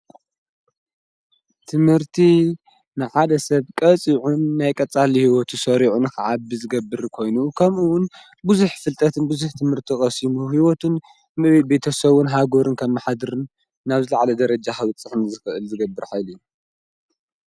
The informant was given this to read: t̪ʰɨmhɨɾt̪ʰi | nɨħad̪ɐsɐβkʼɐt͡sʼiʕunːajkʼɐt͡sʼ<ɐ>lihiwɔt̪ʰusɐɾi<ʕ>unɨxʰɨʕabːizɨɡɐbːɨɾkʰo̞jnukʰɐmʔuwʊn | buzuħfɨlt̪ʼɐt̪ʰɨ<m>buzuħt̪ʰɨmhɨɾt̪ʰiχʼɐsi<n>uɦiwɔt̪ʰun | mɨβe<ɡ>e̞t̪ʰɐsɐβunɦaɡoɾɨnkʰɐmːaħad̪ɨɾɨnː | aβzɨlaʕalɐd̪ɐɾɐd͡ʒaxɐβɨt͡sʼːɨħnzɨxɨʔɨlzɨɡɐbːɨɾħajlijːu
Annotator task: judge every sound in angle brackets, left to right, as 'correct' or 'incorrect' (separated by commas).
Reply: incorrect, correct, incorrect, incorrect, incorrect